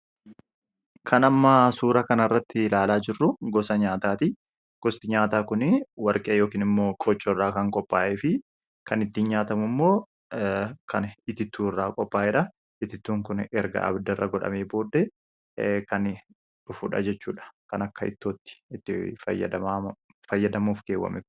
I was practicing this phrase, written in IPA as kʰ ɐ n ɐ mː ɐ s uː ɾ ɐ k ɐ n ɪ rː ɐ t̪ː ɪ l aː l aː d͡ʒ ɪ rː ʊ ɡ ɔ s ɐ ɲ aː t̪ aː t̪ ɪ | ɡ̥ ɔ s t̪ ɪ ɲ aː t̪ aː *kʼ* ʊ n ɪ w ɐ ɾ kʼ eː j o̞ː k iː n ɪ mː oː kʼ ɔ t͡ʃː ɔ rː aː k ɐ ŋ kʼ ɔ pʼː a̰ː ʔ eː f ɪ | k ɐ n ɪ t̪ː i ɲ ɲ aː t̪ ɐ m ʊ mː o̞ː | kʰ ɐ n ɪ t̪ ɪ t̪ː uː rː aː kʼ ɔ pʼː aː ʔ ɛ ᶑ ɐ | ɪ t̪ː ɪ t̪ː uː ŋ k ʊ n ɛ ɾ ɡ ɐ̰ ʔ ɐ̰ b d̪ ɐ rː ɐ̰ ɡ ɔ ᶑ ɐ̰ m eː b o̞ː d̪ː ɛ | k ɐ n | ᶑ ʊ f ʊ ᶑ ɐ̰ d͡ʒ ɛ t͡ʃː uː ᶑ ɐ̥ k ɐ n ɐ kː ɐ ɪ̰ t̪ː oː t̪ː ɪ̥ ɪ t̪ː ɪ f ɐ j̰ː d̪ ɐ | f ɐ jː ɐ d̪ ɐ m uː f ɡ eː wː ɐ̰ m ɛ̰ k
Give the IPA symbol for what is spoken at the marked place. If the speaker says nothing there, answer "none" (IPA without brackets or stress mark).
k